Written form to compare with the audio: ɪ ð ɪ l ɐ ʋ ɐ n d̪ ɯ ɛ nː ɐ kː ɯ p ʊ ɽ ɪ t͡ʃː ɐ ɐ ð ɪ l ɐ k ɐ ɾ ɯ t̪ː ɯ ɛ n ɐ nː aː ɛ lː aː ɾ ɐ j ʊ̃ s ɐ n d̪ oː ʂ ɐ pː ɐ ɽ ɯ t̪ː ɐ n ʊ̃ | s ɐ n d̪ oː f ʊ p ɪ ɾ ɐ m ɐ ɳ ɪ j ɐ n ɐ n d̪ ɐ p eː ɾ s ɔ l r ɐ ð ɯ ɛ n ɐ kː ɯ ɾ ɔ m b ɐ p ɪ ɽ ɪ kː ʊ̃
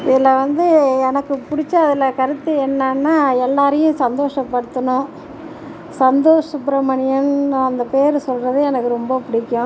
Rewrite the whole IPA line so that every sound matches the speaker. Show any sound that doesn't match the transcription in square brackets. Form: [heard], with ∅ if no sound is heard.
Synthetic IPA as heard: ɪ ð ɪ l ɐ ʋ ɐ n d̪ ɯ ɛ [n] ɐ kː ɯ p ʊ ɽ ɪ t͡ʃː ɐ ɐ ð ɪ l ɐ k ɐ ɾ ɯ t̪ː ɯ ɛ [nː] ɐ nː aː ɛ lː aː ɾ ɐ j ʊ̃ s ɐ n d̪ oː ʂ ɐ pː ɐ ɽ ɯ t̪ː ɐ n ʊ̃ | s ɐ n d̪ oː [ʂ] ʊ p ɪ ɾ ɐ m ɐ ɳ ɪ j ɐ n ɐ n d̪ ɐ p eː ɾ s ɔ l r ɐ ð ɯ ɛ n ɐ kː ɯ ɾ ɔ m b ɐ p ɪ ɽ ɪ kː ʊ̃